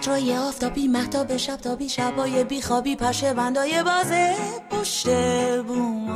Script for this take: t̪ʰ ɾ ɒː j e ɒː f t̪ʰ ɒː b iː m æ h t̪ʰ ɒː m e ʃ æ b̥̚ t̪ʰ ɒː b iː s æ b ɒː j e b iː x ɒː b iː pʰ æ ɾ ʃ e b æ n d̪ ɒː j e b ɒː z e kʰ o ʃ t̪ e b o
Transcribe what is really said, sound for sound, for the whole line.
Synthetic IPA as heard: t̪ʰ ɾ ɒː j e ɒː f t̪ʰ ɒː b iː m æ h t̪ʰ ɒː b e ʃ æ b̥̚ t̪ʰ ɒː b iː ʃ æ b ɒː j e b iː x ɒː b iː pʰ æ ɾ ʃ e b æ n d̪ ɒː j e b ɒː z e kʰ o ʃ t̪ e b u